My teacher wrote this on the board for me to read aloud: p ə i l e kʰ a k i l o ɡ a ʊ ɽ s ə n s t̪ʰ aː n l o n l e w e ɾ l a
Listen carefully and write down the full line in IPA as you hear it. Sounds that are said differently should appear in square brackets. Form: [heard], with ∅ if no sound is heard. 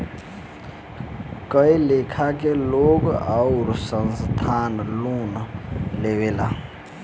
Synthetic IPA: [k] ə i l e kʰ a k [e] l o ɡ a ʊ [ɾ] s ə n s t̪ʰ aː n l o n l e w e [∅] l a